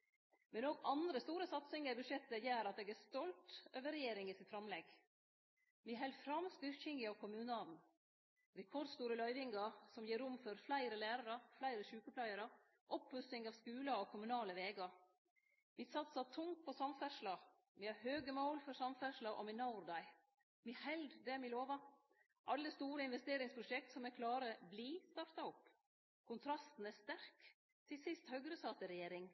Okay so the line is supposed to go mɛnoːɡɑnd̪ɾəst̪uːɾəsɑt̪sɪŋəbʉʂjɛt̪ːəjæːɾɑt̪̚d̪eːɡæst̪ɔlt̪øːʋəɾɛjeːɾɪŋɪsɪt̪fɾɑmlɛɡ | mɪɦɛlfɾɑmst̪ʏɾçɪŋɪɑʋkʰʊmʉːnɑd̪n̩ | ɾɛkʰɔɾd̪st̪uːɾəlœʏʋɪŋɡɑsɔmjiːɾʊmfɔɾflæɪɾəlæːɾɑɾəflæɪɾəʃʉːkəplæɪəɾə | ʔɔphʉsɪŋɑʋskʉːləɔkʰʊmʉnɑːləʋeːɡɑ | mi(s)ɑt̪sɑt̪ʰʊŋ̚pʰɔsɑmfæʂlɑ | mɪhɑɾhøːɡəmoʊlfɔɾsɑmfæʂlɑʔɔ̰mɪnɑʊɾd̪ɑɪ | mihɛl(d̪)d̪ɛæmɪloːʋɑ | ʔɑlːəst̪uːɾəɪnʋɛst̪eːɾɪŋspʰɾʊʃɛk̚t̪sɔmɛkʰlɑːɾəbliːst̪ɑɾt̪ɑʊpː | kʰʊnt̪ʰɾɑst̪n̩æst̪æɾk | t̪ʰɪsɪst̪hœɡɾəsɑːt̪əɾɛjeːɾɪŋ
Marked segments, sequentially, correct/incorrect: correct, correct

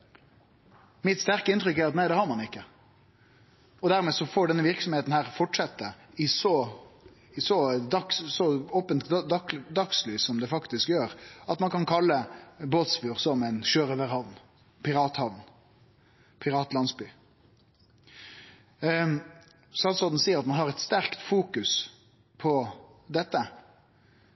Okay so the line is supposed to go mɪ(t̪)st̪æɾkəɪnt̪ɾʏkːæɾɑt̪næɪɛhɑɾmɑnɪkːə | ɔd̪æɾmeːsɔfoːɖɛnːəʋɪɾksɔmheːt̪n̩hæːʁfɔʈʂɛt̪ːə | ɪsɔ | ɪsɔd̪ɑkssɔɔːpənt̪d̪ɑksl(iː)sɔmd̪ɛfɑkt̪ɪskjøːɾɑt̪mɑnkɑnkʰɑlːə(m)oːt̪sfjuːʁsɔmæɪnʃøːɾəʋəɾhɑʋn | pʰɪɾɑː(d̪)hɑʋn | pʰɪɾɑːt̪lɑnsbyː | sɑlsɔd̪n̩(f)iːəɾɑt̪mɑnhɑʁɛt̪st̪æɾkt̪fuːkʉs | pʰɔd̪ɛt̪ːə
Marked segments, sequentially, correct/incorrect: correct, incorrect, incorrect, incorrect, incorrect

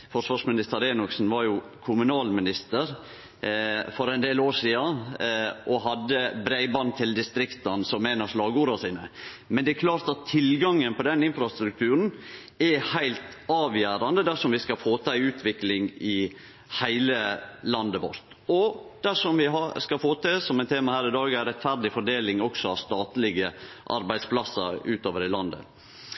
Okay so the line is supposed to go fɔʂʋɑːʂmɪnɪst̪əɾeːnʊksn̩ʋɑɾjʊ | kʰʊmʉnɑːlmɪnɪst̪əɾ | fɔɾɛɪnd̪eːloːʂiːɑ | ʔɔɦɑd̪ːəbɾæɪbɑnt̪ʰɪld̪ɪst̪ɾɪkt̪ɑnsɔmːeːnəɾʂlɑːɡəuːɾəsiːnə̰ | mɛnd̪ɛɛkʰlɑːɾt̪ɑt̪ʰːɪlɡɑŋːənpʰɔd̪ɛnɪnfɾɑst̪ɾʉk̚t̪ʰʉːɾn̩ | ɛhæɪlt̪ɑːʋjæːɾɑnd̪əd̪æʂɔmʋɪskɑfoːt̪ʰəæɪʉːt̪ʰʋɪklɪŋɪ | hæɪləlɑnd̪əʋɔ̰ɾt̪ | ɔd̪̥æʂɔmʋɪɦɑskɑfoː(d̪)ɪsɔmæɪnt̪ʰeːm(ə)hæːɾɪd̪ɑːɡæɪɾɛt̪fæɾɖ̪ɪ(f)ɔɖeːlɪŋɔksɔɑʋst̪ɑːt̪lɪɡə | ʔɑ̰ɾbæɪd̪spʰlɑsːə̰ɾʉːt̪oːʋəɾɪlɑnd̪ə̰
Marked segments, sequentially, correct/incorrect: incorrect, incorrect, correct

